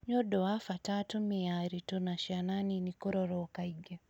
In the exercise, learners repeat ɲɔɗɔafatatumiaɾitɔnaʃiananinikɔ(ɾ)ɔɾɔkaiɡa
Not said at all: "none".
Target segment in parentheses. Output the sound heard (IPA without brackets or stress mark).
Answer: ɾ